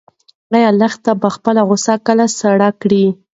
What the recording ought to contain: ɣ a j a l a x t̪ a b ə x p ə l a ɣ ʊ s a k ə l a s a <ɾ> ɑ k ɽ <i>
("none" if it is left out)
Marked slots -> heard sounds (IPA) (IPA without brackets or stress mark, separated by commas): ɽ, i